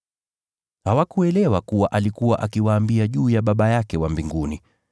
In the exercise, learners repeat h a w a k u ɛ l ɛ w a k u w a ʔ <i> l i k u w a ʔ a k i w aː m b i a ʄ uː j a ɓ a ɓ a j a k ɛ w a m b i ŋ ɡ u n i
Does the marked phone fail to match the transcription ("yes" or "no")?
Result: yes